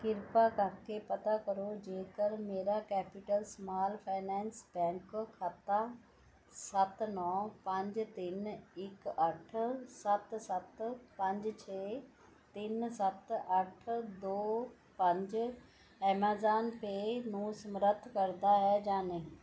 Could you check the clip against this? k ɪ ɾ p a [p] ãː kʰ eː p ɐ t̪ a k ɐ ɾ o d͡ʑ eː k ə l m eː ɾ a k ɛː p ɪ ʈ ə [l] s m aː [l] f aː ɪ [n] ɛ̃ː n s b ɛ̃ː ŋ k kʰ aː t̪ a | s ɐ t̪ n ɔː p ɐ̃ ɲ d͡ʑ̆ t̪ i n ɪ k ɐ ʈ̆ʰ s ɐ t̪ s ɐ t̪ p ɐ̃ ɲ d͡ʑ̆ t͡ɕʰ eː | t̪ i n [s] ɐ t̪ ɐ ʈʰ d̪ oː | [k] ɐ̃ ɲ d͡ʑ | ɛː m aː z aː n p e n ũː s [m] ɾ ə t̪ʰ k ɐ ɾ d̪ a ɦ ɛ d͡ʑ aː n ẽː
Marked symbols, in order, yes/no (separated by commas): no, yes, yes, yes, yes, no, yes